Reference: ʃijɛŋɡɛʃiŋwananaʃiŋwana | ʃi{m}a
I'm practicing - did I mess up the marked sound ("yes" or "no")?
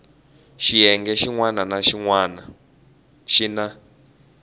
yes